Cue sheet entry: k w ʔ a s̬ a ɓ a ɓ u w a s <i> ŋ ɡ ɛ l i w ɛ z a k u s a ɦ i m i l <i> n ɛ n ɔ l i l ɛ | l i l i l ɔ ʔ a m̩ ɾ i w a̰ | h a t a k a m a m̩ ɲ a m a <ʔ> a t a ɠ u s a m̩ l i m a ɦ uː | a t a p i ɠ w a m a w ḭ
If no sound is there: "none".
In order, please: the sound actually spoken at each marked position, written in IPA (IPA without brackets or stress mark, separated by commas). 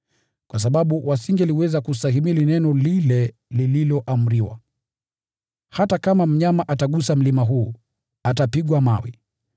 i, i, ʔ